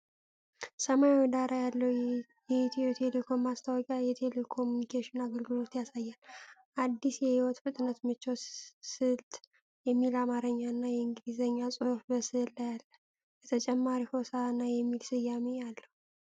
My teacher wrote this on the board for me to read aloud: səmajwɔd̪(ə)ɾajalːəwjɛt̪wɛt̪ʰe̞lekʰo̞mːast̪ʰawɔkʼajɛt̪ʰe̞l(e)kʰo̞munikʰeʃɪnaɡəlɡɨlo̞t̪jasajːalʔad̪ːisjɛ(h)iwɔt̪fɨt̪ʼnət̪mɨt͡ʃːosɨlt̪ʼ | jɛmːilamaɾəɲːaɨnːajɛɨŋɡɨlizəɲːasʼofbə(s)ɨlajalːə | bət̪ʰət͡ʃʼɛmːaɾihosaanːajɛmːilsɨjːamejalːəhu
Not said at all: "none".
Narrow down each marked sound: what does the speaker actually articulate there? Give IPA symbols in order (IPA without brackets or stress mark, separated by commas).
a, e, h, s